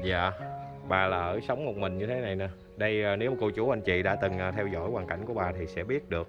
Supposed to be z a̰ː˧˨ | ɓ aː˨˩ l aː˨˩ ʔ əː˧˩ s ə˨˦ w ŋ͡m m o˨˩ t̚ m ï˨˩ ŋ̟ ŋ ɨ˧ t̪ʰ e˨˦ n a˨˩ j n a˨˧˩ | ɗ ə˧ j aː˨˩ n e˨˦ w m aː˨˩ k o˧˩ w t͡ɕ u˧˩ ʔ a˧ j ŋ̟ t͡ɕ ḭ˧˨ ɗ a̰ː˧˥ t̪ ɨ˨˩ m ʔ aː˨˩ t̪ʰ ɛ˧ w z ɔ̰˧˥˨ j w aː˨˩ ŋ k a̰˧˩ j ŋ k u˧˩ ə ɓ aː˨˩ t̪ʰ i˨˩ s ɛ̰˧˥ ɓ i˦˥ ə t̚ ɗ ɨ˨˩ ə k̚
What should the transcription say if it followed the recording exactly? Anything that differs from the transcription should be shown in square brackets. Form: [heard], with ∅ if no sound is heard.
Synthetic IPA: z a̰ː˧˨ | ɓ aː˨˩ l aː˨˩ ʔ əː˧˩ s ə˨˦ w ŋ͡m m o˨˩ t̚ m ï˨˩ ŋ̟ [ɲ] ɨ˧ t̪ʰ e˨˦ n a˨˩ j n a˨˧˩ | ɗ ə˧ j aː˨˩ n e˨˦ w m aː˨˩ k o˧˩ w t͡ɕ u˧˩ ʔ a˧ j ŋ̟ t͡ɕ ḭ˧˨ ɗ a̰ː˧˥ t̪ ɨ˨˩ [ŋ] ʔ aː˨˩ t̪ʰ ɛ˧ w z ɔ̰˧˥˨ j w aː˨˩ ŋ k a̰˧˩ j ŋ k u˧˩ ə ɓ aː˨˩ t̪ʰ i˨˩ s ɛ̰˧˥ ɓ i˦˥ ə t̚ ɗ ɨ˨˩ ə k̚

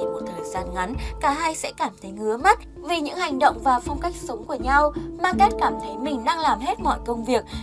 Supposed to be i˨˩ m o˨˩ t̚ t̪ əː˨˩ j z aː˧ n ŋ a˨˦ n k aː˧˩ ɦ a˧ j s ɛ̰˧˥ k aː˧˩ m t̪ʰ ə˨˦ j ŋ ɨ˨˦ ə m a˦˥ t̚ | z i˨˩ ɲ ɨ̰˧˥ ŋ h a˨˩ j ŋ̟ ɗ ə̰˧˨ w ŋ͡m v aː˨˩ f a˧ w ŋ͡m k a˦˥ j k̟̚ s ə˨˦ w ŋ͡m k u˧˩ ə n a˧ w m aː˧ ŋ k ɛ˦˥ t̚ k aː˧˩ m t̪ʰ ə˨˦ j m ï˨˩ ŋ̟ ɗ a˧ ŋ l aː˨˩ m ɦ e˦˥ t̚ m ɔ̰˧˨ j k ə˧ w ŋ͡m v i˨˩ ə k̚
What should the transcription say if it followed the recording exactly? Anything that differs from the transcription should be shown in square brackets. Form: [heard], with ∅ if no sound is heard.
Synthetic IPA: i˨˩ m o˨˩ t̚ [t̪ʰ] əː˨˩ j z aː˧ n ŋ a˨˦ n k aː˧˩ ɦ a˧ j s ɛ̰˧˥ k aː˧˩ m t̪ʰ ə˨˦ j ŋ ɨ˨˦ ə m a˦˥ t̚ | [v] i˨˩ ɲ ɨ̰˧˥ ŋ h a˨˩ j ŋ̟ ɗ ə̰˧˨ w ŋ͡m v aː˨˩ f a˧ w ŋ͡m k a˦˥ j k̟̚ s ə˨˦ w ŋ͡m k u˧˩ ə [ɲ] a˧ w m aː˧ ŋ k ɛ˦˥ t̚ k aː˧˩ m t̪ʰ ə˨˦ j m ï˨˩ ŋ̟ ɗ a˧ ŋ l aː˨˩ m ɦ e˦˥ t̚ m ɔ̰˧˨ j k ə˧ w ŋ͡m v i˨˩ ə k̚

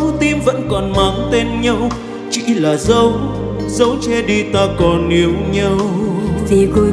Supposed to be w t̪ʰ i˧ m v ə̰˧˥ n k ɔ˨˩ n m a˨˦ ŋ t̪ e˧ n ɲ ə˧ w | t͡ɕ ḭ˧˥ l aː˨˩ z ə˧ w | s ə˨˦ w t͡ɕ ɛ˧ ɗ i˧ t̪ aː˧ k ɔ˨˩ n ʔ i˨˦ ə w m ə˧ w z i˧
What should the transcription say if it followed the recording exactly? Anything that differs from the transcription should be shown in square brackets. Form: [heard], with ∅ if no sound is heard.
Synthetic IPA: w [t̪] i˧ m v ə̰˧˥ n k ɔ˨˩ n m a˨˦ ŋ t̪ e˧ n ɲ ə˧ w | t͡ɕ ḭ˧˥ l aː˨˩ z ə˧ w | [z] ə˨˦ w t͡ɕ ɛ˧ ɗ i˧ t̪ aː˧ k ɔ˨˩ n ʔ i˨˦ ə w [ɲ] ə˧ w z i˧

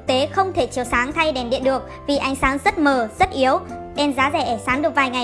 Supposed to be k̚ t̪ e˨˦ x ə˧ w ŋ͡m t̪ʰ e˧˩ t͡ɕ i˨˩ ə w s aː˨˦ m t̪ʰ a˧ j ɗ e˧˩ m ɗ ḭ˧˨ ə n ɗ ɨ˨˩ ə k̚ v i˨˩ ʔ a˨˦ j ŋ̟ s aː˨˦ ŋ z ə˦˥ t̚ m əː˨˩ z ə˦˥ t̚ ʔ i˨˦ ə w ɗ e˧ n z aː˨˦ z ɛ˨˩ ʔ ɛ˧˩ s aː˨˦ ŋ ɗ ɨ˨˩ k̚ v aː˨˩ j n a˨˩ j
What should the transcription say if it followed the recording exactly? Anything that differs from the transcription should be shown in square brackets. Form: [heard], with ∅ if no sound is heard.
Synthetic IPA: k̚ t̪ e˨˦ x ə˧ w ŋ͡m t̪ʰ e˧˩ t͡ɕ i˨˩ ə w s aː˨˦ [ŋ] t̪ʰ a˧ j ɗ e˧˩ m ɗ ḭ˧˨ ə n ɗ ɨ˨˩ ə k̚ v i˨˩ ʔ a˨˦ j ŋ̟ s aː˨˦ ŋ z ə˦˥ t̚ m əː˨˩ z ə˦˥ t̚ ʔ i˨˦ ə w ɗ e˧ n z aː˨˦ z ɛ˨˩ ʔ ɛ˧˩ s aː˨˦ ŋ ɗ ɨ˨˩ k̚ v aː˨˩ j [ŋ] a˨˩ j

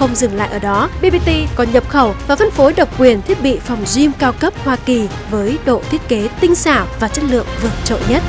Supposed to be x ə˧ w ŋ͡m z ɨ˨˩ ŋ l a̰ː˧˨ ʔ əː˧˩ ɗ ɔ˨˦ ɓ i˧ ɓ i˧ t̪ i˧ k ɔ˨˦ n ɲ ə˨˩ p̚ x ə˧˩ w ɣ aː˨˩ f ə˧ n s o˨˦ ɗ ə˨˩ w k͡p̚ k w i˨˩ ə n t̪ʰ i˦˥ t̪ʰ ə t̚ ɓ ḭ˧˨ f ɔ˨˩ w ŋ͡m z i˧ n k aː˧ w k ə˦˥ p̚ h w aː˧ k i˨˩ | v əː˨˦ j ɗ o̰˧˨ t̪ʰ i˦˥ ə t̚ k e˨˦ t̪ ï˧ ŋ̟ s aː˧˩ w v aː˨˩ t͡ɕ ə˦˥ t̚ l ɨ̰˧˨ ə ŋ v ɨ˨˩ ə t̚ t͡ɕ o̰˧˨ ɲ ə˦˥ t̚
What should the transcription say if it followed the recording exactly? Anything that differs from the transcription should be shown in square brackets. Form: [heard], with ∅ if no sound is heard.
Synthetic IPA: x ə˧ w ŋ͡m z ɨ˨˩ ŋ l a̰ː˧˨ ʔ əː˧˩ ɗ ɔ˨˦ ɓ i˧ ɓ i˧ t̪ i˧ k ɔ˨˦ n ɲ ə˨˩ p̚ x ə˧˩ w [v] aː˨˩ f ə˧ n [f] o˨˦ ɗ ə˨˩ w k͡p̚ k w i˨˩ ə n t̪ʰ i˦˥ [∅] ə t̚ ɓ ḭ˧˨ f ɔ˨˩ w ŋ͡m z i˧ [m] k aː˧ w k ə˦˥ p̚ h w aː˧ k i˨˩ | v əː˨˦ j ɗ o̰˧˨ t̪ʰ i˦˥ ə t̚ k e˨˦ t̪ ï˧ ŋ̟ s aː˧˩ w v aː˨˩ t͡ɕ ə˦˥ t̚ l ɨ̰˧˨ ə ŋ v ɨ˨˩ ə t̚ t͡ɕ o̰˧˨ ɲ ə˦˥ t̚

